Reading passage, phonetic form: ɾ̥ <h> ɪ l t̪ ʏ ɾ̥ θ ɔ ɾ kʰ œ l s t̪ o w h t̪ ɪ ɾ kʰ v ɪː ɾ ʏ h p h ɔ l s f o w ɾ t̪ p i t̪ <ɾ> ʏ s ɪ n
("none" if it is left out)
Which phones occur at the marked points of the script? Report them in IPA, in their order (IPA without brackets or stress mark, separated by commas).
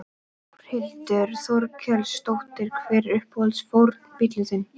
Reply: h, l